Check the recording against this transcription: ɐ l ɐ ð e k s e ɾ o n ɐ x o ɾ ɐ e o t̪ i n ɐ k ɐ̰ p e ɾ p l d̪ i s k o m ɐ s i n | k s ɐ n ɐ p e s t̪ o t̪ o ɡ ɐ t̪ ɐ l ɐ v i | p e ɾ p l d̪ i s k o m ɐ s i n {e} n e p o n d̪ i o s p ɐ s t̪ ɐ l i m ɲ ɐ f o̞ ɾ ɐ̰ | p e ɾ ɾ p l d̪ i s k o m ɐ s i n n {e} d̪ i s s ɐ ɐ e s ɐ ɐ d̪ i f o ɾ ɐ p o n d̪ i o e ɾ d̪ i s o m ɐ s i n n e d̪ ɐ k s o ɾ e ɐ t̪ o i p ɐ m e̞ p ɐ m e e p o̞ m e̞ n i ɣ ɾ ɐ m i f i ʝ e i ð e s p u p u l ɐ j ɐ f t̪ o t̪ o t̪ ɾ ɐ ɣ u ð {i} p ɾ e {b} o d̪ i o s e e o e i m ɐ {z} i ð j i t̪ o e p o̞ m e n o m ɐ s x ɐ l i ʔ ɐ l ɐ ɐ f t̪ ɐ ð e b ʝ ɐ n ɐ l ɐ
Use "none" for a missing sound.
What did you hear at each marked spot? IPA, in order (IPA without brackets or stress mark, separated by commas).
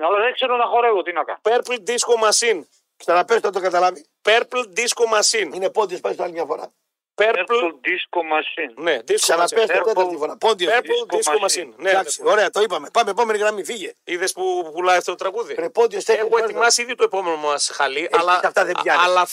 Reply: i, e, i, p, s